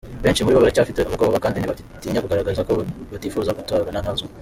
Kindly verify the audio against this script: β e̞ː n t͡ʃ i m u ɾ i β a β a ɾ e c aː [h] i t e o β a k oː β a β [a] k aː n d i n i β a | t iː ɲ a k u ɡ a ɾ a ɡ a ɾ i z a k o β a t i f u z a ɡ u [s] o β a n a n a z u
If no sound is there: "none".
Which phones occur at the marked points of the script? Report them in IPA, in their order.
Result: f, a, t

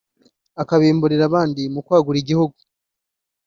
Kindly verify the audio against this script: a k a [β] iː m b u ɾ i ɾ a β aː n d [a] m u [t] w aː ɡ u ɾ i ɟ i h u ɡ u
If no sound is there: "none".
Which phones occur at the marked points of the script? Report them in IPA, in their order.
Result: β, i, k

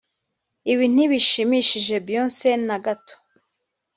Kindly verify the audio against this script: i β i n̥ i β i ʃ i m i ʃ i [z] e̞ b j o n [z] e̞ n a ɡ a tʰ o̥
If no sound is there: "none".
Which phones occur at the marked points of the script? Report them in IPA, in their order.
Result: ʒ, s

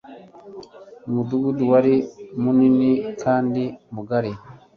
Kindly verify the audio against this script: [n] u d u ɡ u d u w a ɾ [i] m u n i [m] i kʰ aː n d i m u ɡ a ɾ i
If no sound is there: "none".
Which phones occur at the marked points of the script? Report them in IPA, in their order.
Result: m, i, n

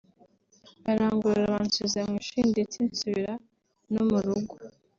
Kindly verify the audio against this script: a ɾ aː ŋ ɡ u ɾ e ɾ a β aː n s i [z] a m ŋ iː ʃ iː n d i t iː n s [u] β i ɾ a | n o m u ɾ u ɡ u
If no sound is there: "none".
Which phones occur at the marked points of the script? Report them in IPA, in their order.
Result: z, u

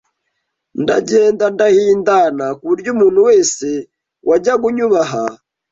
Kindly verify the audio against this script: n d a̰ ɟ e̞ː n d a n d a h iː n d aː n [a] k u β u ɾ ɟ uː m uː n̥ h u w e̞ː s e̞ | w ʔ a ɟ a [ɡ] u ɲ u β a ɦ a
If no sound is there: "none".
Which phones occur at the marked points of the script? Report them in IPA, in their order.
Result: a, ɡ

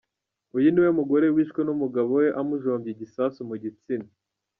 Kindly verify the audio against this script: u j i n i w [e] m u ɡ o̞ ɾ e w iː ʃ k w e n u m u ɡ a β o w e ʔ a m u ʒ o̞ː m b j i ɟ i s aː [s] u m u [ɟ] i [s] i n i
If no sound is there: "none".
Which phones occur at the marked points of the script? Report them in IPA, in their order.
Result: e, s, ɟ, t͡s

